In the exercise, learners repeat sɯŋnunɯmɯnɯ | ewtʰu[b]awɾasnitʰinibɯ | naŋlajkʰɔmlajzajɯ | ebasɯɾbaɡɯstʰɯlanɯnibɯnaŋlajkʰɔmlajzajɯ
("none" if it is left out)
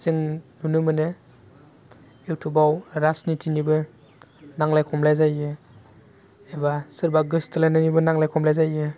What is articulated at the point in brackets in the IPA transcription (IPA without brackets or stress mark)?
b